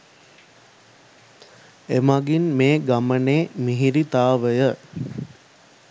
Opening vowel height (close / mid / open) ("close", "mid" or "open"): mid